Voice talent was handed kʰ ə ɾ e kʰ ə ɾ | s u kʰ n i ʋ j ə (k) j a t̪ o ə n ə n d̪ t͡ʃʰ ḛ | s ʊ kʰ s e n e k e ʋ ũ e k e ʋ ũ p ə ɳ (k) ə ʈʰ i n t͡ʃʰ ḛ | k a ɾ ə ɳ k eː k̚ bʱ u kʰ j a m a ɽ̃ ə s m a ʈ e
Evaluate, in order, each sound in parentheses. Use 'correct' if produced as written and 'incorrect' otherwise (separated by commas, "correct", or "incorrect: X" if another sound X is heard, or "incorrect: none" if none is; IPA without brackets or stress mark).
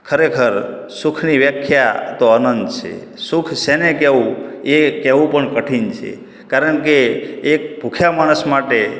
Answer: incorrect: kʰ, correct